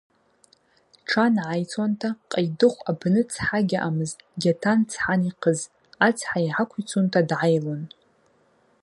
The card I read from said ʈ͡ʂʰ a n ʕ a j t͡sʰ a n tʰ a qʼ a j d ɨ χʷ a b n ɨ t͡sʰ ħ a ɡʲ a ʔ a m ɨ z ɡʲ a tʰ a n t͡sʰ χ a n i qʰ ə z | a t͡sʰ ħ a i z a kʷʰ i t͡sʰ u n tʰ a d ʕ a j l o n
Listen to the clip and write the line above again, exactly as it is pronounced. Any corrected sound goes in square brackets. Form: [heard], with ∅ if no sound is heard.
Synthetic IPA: ʈ͡ʂʰ a n ʕ a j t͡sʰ a n tʰ a qʼ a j d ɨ χʷ a b n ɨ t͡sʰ ħ a ɡʲ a ʔ a m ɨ z ɡʲ a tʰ a n t͡sʰ [ħ] a n i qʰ ə z | a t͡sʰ ħ a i [ʕ] a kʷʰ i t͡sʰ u n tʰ a d ʕ a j l o n